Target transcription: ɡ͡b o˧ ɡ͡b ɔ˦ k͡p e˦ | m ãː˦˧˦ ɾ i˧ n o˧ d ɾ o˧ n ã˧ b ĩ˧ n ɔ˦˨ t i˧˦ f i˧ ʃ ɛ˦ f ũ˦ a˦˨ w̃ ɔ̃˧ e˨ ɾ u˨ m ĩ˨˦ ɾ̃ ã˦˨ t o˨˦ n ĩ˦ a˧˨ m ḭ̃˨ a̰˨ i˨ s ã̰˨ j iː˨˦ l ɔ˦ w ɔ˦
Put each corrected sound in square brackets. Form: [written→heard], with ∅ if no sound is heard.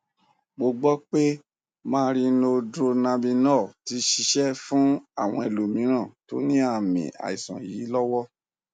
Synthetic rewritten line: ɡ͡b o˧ ɡ͡b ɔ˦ k͡p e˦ | m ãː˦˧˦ ɾ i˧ n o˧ d ɾ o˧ n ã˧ b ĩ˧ n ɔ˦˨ t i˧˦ [f→ʃ] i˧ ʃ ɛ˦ f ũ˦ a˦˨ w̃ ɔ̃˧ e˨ [ɾ→l] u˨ m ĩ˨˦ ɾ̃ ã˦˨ t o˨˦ n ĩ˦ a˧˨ m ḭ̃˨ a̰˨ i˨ s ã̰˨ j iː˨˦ l ɔ˦ w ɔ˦